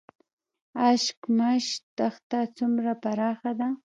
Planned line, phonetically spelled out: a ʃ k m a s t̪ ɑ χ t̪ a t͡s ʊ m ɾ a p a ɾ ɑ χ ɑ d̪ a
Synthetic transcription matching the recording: a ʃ k m a ʃ t̪ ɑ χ t̪ a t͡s ʊ m ɾ a p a ɾ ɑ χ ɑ d̪ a